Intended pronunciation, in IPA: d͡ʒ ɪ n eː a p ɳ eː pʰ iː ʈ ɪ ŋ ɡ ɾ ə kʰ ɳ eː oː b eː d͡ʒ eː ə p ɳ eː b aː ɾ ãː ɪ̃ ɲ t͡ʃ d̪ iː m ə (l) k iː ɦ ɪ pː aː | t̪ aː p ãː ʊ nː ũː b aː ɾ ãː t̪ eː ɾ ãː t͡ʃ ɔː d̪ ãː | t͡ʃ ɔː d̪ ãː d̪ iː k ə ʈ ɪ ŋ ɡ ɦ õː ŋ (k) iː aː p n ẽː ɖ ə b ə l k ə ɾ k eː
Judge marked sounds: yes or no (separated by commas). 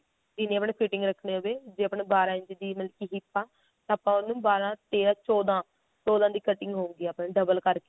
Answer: yes, no